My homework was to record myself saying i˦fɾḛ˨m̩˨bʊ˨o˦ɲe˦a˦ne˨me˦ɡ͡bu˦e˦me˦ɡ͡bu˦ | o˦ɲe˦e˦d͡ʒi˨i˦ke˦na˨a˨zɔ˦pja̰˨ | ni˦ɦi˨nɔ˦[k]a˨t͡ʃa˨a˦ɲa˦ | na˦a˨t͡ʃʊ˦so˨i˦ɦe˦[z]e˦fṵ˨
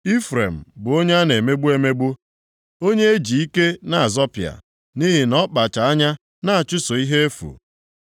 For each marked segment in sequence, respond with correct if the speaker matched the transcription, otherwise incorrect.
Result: incorrect, incorrect

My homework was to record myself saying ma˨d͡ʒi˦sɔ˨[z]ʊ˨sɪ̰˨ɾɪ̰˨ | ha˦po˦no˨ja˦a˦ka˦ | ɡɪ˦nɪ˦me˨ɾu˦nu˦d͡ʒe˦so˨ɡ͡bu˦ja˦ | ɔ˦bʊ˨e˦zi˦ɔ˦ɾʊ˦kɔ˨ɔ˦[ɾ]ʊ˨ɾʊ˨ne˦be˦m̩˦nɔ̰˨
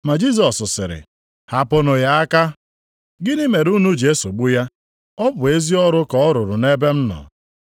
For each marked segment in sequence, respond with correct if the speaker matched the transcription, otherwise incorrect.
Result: incorrect, correct

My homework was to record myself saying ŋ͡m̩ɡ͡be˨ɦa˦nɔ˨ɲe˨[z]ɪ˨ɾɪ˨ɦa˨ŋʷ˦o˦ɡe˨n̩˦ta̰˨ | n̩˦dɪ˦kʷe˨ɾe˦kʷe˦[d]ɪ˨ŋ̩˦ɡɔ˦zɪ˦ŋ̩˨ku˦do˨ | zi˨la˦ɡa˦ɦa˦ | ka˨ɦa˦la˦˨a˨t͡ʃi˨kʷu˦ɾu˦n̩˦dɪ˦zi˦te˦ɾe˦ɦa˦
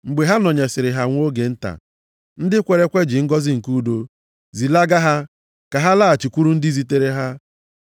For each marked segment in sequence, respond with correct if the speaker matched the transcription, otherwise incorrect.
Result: incorrect, incorrect

